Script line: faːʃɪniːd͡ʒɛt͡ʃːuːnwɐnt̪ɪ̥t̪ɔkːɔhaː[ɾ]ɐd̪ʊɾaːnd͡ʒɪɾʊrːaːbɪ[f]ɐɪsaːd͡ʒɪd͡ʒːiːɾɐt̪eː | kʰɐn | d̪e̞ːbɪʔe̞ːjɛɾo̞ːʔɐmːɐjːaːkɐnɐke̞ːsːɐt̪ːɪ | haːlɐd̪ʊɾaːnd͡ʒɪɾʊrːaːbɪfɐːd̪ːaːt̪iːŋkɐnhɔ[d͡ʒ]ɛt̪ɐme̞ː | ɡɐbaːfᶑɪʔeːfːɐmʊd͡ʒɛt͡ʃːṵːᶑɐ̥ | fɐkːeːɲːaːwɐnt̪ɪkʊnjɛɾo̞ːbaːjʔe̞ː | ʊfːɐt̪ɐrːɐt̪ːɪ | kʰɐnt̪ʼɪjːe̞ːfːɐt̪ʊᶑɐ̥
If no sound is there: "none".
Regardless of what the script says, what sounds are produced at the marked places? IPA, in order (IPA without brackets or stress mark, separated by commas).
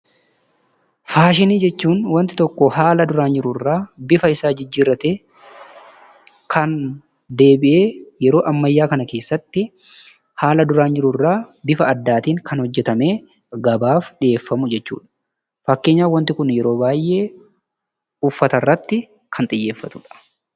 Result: l, f, d͡ʒː